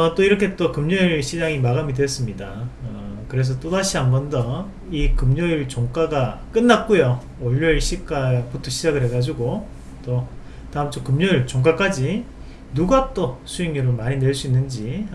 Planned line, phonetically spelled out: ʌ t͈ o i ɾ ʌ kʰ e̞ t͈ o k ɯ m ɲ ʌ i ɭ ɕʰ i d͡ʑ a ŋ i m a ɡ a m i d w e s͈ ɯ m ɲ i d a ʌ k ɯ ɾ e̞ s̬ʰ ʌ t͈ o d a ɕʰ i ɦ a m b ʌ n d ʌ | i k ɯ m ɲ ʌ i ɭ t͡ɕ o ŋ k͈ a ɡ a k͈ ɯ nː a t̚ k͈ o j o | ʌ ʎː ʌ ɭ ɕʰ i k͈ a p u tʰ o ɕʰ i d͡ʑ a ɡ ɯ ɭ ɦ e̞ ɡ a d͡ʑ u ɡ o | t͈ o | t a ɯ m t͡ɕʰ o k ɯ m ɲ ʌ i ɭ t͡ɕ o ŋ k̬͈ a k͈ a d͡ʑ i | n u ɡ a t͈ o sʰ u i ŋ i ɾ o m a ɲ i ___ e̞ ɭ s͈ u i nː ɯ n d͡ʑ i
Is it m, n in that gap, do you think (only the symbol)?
n